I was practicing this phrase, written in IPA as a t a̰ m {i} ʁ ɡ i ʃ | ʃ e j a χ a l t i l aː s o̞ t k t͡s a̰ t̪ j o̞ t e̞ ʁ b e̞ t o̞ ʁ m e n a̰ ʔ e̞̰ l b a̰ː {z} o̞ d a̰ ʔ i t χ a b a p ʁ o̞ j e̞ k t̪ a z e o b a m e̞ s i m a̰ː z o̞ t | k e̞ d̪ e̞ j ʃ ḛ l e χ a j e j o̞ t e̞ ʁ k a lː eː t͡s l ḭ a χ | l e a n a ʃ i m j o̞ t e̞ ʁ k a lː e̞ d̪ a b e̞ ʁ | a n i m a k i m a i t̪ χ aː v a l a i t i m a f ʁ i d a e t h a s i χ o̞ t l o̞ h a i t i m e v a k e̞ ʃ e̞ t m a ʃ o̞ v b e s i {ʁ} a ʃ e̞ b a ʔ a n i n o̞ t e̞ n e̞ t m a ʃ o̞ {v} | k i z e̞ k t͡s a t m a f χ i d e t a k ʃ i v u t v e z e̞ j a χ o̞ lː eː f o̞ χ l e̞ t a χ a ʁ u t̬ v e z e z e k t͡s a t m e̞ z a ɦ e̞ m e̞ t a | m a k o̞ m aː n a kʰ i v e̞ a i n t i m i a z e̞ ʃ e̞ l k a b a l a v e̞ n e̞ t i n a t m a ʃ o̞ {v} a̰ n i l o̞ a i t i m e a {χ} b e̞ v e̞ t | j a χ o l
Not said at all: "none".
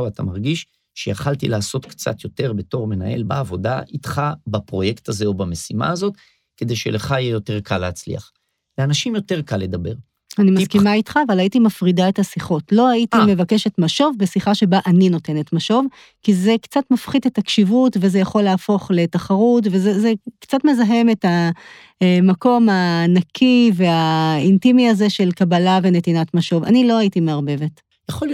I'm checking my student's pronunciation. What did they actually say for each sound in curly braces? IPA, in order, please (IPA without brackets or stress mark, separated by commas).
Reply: a, v, χ, v, v, ʁ